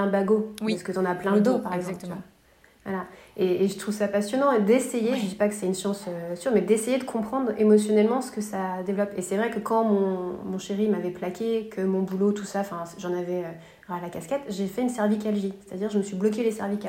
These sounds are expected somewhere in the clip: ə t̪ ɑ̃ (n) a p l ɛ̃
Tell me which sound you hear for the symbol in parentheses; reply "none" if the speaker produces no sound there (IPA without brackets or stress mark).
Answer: n